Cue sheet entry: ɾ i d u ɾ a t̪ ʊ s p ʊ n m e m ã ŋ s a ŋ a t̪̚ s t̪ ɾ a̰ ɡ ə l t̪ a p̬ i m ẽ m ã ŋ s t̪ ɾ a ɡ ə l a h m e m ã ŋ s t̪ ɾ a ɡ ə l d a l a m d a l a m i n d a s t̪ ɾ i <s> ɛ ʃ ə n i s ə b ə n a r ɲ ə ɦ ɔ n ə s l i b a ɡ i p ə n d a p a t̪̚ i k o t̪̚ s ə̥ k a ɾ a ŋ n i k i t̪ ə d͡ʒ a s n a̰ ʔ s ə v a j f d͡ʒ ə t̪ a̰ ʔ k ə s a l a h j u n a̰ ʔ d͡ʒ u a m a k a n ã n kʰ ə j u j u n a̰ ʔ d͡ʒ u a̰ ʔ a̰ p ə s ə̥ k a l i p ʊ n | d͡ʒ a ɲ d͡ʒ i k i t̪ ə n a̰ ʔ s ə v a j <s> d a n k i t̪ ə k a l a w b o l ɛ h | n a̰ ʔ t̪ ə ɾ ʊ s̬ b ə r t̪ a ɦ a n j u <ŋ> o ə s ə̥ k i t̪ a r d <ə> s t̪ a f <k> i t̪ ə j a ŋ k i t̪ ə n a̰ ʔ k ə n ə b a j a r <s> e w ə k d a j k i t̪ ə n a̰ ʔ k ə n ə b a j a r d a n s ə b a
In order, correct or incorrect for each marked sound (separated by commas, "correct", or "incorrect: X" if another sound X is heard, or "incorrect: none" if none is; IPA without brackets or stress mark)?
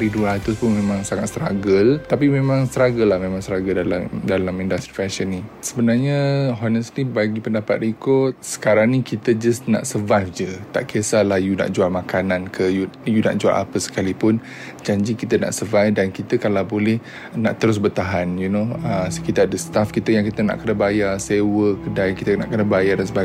incorrect: f, incorrect: f, incorrect: n, correct, correct, correct